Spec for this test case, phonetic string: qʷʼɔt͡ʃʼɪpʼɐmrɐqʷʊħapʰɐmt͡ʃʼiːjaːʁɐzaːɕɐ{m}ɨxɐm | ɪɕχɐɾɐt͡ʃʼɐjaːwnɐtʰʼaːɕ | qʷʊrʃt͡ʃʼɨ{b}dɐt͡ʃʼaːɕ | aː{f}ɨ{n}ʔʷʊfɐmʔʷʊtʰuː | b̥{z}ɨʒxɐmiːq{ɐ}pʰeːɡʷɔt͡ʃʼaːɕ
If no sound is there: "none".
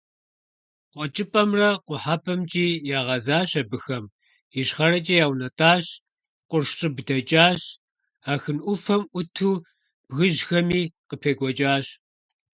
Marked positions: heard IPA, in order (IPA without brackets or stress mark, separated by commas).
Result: b, b, x, n, ɣ, ə